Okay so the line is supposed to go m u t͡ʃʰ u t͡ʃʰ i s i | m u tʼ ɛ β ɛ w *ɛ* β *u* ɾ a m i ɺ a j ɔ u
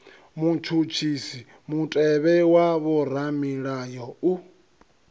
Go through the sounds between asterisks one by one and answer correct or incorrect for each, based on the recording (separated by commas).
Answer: incorrect, incorrect